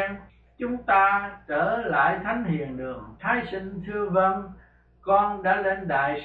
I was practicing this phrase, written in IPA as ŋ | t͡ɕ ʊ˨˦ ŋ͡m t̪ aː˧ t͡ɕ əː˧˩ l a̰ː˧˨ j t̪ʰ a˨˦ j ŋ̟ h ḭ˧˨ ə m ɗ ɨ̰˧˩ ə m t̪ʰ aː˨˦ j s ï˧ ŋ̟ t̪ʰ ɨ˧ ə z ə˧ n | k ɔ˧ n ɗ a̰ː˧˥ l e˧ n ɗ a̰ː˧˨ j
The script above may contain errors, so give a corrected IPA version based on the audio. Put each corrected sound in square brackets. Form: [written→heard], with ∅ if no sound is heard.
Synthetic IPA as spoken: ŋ | t͡ɕ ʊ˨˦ ŋ͡m t̪ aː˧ t͡ɕ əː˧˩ l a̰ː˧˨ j t̪ʰ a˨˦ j ŋ̟ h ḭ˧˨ ə [m→n] ɗ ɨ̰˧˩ ə [m→ŋ] t̪ʰ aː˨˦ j s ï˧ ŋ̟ t̪ʰ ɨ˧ ə [z→v] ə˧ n | k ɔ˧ n ɗ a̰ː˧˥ l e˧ n ɗ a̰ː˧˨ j